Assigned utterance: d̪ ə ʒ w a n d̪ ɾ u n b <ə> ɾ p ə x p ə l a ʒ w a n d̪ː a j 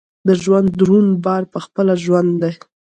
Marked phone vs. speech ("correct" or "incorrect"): incorrect